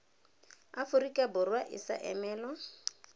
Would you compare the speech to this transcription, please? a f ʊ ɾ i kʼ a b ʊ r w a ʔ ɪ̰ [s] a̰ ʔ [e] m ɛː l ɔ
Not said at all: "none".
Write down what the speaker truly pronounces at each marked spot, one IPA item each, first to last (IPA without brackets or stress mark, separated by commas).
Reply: s, ɛ